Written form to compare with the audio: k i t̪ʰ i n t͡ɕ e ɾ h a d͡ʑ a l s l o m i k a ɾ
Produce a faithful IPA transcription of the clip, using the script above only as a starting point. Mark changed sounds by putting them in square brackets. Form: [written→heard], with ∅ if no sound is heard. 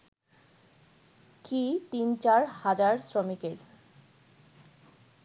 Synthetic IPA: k i [t̪ʰ→t̪] i n t͡ɕ [e→a] ɾ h a d͡ʑ a [l→ɾ] s [l→ɾ] o m i k [a→e] ɾ